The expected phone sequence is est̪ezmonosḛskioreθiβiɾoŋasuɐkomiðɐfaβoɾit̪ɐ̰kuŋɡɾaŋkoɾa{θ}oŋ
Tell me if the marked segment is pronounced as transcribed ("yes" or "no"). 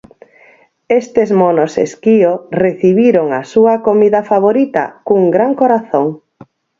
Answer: yes